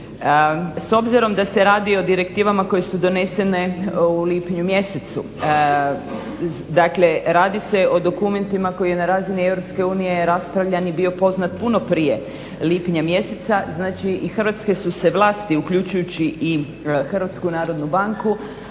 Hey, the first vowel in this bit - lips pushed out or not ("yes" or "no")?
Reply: yes